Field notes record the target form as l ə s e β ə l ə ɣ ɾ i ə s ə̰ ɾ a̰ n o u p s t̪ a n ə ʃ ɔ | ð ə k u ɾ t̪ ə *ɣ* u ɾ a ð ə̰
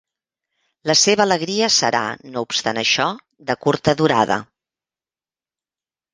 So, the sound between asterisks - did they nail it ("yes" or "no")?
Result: no